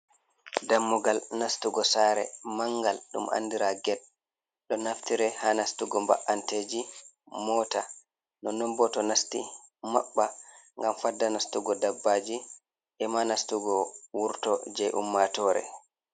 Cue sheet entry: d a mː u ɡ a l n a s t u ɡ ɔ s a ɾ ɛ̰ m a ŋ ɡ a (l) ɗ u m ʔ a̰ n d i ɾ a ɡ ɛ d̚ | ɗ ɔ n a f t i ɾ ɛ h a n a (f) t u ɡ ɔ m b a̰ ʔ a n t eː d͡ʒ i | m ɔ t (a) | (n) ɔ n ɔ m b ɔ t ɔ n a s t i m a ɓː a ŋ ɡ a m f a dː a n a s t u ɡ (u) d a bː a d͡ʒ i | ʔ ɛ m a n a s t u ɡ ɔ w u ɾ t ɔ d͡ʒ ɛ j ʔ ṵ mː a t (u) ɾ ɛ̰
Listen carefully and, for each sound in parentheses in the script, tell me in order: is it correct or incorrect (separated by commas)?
correct, incorrect, correct, correct, incorrect, incorrect